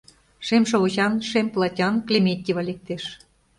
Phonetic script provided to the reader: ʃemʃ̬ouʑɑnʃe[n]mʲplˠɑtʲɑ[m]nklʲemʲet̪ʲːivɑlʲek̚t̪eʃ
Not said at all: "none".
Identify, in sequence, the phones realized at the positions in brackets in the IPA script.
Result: none, none

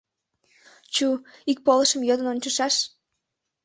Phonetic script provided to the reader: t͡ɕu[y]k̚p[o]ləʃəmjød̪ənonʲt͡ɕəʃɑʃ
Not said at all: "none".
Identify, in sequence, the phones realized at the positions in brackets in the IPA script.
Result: i, o

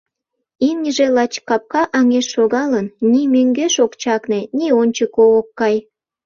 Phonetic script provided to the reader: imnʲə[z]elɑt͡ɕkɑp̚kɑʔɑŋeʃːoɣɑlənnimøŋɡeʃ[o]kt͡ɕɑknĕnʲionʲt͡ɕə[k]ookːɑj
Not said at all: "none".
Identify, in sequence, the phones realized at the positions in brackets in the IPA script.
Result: ʒ, o, k

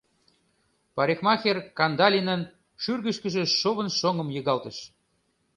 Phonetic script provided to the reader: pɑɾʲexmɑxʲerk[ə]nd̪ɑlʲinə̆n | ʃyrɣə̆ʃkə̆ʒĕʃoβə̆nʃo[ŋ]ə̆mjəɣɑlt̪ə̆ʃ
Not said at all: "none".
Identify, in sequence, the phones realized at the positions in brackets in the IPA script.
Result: ɑ, ŋ

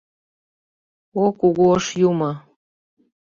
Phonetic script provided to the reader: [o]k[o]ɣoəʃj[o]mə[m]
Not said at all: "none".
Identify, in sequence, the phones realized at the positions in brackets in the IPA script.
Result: o, u, u, none

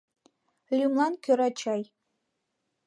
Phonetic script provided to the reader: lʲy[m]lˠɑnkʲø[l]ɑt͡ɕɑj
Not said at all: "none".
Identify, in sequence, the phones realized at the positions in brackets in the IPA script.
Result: m, ɾ

